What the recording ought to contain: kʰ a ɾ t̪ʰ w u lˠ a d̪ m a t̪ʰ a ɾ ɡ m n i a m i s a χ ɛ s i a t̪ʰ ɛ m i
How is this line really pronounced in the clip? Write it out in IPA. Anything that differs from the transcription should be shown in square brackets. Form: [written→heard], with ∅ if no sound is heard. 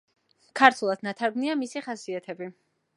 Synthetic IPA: kʰ a ɾ t̪ʰ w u lˠ a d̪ [m→n] a t̪ʰ a ɾ ɡ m n i a m i s [a→i] χ [ɛ→a] s i a t̪ʰ ɛ [m→b] i